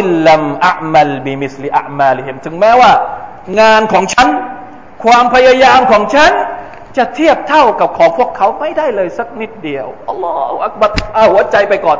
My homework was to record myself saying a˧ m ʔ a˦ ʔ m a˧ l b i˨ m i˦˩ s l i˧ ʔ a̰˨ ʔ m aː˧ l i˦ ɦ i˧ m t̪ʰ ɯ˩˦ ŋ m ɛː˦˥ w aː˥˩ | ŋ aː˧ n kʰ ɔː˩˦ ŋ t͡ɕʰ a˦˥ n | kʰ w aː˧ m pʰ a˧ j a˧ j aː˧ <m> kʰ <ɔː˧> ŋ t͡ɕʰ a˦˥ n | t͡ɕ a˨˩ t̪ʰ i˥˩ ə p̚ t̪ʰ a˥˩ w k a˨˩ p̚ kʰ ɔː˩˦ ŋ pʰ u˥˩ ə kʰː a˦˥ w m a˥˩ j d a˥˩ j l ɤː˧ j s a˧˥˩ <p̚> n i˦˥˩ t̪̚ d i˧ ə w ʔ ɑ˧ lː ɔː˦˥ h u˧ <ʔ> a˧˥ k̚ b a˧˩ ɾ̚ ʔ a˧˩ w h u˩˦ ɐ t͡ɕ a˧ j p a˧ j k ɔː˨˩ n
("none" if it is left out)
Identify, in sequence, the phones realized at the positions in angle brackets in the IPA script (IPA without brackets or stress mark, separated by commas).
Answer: m, ɔː˩˦, k̚, ʔ